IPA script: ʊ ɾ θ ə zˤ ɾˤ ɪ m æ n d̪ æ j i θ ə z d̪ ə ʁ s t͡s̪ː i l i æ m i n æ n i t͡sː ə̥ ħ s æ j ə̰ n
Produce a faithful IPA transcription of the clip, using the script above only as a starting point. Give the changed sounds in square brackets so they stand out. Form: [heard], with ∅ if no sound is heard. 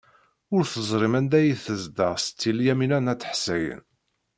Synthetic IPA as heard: ʊ ɾ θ ə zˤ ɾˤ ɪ m æ n d̪ æ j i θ ə z d̪ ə ʁ s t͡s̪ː i l [j] æ m i n æ n [æ] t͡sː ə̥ ħ s æ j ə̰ n